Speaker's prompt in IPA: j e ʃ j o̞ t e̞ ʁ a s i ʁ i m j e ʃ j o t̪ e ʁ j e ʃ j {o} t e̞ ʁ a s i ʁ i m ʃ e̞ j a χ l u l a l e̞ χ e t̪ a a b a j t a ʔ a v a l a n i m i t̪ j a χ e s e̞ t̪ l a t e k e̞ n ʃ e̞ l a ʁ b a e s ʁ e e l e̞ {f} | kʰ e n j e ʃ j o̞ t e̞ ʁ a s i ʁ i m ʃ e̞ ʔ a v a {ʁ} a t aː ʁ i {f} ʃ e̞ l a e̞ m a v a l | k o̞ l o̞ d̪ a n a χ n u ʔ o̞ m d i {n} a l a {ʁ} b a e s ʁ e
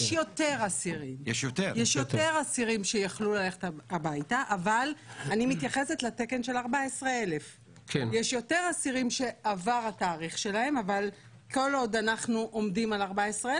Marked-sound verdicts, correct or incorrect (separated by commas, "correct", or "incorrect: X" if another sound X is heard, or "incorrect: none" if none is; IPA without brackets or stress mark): correct, correct, correct, incorrect: χ, incorrect: m, correct